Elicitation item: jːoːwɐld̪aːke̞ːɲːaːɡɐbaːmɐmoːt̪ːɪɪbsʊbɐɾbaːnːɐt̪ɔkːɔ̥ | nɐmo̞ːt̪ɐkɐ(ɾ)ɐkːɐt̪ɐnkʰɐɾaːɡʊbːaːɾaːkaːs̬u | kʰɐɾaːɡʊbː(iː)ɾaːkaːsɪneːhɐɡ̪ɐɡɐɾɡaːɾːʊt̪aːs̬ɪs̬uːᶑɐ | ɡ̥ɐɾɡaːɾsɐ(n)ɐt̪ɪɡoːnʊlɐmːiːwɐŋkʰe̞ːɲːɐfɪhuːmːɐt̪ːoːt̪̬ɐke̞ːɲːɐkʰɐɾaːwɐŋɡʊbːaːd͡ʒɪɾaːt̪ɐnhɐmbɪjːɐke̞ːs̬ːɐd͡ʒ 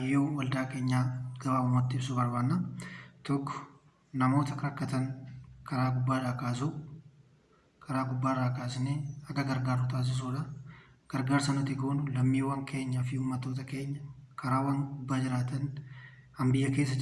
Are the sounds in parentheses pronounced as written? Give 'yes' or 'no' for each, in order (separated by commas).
yes, no, yes